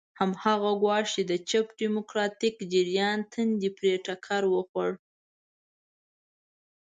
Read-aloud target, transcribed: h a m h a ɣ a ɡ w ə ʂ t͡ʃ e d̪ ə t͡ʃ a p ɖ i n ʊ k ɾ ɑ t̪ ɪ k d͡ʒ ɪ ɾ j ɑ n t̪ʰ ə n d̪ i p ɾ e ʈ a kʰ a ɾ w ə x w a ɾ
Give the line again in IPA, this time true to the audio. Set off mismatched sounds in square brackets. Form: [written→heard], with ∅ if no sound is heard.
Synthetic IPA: h a m h a ɣ a ɡ w [ə→ɑ] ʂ t͡ʃ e d̪ ə t͡ʃ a p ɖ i [n→m] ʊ k ɾ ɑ t̪ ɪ k d͡ʒ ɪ ɾ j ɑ n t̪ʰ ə n d̪ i p ɾ e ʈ a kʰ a ɾ w ə x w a [ɾ→ɽ]